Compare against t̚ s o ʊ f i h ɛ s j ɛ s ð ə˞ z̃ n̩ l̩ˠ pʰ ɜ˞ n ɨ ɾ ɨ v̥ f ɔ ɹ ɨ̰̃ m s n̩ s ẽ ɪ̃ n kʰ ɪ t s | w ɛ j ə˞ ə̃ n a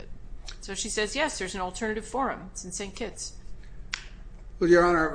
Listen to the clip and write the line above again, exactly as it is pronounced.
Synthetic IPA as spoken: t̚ s o ʊ ʃ i s ɛ z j ɛ s ð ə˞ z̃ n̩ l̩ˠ tʰ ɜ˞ n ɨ ɾ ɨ v̥ f ɔ ɹ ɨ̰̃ m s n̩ s ẽ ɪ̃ n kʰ ɪ t s | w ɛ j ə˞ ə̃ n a

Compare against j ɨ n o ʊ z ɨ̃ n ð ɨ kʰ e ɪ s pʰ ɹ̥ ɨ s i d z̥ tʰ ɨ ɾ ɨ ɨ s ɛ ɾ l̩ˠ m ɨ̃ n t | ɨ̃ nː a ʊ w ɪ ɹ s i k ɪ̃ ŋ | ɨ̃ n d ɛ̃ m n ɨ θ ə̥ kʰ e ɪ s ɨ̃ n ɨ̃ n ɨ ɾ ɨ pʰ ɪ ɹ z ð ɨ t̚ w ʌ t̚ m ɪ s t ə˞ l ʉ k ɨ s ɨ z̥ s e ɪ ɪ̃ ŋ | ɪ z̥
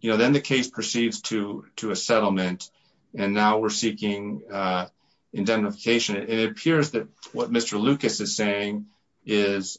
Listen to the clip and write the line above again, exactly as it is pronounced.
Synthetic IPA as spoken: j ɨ n o ʊ ð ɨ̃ n ð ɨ kʰ e ɪ s pʰ ɹ̥ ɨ s i d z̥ tʰ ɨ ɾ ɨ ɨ s ɛ ɾ l̩ˠ m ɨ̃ n t | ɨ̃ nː a ʊ w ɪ ɹ s i k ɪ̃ ŋ | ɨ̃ n d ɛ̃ m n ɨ f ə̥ kʰ e ɪ ʃ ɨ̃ n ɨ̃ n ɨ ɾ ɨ pʰ ɪ ɹ z ð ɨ t̚ w ʌ t̚ m ɪ s t ə˞ l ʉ k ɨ s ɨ z̥ s e ɪ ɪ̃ ŋ | ɪ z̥

